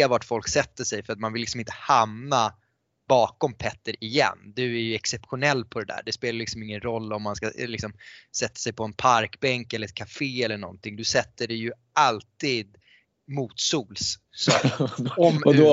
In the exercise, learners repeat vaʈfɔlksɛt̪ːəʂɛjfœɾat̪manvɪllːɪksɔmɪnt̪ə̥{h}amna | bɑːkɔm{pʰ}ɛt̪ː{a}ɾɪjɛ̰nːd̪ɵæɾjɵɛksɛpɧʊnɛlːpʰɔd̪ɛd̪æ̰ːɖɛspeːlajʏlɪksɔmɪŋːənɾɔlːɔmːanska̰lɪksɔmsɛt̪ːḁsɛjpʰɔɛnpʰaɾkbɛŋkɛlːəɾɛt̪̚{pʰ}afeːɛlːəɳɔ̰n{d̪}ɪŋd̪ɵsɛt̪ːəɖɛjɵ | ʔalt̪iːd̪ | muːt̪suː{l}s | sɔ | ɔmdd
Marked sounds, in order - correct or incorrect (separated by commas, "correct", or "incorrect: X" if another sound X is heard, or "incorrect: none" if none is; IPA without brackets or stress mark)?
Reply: correct, correct, incorrect: ə, incorrect: kʰ, incorrect: t̪, correct